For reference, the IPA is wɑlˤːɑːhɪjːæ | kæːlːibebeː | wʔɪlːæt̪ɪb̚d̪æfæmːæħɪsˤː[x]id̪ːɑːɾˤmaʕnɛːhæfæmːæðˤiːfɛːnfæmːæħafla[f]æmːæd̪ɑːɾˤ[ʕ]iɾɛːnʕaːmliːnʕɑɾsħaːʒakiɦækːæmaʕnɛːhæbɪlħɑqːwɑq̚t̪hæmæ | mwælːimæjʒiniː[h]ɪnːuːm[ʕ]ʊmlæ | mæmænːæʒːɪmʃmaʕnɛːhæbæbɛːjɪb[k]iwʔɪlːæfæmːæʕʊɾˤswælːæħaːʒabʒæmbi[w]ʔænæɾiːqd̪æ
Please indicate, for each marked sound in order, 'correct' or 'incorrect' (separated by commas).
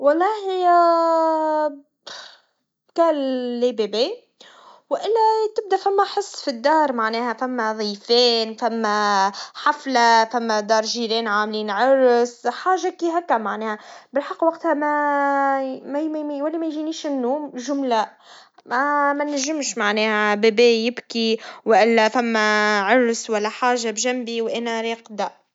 incorrect, correct, incorrect, incorrect, incorrect, correct, correct